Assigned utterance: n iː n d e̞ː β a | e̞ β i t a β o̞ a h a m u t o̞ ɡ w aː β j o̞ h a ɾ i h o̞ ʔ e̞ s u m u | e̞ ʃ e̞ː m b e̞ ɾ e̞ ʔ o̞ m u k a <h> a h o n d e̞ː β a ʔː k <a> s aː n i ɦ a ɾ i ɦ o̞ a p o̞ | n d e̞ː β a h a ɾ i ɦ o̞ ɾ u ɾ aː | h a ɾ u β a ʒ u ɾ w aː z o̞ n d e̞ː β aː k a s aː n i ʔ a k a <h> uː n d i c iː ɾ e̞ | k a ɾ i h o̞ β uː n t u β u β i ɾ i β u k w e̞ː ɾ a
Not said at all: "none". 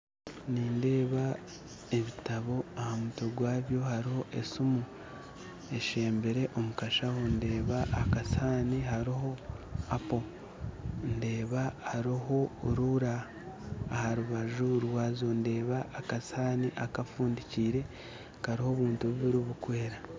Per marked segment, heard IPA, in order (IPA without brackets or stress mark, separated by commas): ʃ, a, f